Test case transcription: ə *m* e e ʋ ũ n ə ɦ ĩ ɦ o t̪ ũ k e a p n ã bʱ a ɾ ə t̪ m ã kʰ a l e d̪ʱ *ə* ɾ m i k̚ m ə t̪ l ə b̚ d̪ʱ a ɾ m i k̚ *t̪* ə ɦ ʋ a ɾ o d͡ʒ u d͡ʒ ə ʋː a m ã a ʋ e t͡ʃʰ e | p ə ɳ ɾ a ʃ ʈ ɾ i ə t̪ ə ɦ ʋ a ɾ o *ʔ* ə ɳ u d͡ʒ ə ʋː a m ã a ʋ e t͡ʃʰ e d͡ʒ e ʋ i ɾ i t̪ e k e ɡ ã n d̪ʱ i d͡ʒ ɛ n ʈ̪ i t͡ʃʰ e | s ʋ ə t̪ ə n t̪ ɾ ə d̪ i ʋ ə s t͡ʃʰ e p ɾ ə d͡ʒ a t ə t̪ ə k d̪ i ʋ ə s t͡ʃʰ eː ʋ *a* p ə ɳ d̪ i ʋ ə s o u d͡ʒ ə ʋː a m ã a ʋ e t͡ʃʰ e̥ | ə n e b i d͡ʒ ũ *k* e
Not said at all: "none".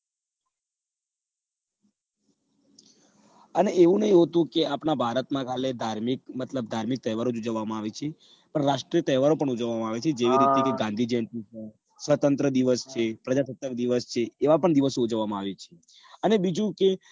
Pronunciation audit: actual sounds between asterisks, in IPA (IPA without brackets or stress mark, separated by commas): n, a, t̪, p, a, k